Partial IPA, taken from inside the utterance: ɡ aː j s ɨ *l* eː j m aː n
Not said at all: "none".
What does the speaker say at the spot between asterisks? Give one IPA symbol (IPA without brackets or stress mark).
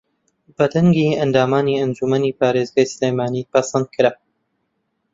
l